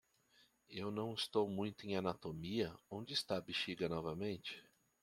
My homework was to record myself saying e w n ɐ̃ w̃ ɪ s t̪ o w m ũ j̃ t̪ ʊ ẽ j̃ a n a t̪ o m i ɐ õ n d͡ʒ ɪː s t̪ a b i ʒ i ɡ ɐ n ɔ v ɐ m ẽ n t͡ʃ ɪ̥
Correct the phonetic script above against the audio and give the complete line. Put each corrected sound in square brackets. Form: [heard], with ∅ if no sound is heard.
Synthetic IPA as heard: e w n ɐ̃ w̃ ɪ s t̪ o w m ũ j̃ t̪ ʊ ẽ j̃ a n a t̪ o m i ɐ õ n d͡ʒ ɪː s t̪ a b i [ʃ] i ɡ ɐ n ɔ v ɐ m ẽ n t͡ʃ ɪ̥